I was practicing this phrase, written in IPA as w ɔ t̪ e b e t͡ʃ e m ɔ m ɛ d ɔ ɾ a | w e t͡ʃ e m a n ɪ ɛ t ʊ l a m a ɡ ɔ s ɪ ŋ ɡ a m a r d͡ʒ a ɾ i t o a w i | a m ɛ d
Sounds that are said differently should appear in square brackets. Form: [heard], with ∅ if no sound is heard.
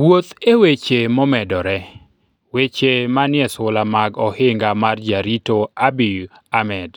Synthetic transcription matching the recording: w [o] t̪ e [w] e t͡ʃ e m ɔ m ɛ d ɔ ɾ [ɛ] | w e t͡ʃ e m a n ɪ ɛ [s] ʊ l a m a ɡ ɔ [h] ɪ ŋ ɡ a m a r d͡ʒ a ɾ i t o a [b] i | a m ɛ d